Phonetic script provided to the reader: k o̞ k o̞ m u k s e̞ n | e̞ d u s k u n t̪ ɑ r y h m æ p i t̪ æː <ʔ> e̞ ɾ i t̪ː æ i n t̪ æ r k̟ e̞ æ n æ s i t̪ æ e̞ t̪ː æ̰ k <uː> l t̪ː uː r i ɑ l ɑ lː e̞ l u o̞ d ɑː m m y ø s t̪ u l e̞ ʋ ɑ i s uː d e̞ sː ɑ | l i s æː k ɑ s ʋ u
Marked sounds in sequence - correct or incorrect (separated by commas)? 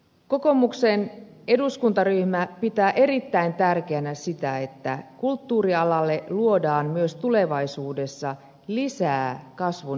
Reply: correct, incorrect